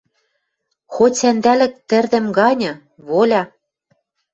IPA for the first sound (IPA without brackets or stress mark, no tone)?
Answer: x